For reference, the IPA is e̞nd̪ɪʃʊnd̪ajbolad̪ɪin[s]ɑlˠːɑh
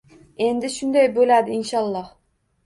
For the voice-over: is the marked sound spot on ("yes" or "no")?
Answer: no